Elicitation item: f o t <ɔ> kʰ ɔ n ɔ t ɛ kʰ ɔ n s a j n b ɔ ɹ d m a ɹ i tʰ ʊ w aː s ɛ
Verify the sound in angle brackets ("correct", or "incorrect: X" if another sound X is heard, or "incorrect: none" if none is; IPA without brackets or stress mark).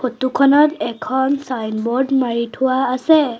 incorrect: u